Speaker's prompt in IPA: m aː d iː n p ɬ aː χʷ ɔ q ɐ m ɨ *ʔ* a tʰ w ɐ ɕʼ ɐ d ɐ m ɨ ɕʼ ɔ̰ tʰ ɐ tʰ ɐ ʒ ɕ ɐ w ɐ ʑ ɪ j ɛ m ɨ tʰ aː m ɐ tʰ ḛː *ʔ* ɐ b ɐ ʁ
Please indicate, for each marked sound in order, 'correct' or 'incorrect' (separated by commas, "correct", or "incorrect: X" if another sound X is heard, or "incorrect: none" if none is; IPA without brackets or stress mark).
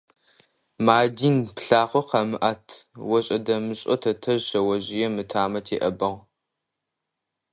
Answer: correct, correct